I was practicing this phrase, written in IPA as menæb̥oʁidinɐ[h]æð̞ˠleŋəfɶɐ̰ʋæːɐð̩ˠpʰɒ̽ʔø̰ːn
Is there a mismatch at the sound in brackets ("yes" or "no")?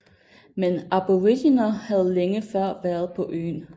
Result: no